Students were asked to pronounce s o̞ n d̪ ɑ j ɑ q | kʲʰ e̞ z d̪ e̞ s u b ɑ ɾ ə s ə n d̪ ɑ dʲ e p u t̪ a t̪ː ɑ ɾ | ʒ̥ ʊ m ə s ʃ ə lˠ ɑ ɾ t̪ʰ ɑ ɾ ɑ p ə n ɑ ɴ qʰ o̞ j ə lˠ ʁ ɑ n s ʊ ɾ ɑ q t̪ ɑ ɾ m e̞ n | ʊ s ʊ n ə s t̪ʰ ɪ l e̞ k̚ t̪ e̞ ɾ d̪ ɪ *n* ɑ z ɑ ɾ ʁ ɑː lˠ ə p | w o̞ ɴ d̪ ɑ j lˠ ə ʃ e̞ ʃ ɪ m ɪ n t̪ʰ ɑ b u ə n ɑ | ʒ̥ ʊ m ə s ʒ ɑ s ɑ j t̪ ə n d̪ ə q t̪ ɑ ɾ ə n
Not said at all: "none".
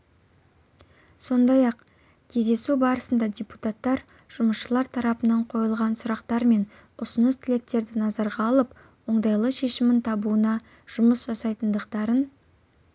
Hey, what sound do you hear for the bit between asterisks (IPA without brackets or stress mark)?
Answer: n